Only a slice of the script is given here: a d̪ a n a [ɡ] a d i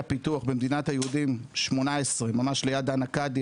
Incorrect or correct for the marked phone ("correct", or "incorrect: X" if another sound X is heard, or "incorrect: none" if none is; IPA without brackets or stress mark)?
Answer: incorrect: k